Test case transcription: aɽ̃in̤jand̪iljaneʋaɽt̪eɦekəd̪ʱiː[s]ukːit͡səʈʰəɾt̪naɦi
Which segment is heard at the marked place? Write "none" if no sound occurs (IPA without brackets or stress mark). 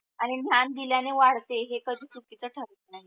t͡s